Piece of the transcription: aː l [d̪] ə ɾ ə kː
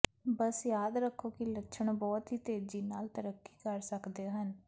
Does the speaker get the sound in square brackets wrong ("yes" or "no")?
yes